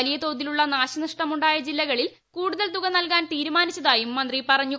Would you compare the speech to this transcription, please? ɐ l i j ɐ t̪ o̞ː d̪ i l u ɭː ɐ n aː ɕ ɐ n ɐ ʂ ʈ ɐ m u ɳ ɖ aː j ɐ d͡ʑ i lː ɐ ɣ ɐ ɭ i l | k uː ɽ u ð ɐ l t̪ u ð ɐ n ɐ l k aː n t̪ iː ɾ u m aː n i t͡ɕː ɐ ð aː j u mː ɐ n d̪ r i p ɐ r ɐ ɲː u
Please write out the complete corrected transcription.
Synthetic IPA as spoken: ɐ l i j ɐ t̪ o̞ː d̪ i l u ɭː ɐ n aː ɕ ɐ n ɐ ʂ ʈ ɐ m u ɳ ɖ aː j ɐ d͡ʑ i lː ɐ ɣ ɐ ɭ i l | k uː ɽ u ð ɐ l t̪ u ɣ ɐ n ɐ l k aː n t̪ iː ɾ u m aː n i t͡ɕː ɐ ð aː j u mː ɐ n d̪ r i p ɐ r ɐ ɲː u